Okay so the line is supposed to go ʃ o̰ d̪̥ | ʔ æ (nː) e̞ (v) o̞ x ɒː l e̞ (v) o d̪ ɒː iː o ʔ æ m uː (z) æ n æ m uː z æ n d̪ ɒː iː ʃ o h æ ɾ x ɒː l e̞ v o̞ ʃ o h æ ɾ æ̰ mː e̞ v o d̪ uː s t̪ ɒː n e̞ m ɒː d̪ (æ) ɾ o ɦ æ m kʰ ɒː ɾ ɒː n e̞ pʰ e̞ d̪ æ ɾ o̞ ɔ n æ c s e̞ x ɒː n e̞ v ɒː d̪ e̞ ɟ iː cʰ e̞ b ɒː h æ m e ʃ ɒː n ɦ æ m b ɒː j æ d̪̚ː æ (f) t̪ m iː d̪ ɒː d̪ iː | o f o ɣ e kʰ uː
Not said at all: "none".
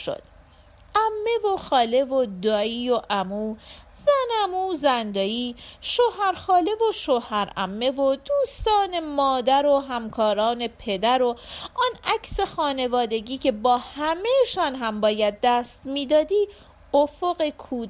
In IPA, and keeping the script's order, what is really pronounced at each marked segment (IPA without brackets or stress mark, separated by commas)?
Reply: mː, v, v, z, æ, s